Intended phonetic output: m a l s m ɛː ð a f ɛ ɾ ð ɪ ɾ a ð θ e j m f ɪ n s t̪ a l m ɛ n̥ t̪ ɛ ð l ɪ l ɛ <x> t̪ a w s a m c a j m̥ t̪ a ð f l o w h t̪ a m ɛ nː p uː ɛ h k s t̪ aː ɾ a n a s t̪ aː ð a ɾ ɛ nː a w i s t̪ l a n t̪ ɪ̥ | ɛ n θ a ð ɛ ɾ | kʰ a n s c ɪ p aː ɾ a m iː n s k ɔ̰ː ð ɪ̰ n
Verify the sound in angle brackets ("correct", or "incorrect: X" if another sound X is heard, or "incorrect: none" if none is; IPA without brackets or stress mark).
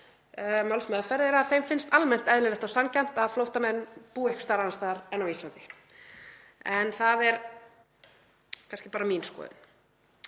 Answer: incorrect: h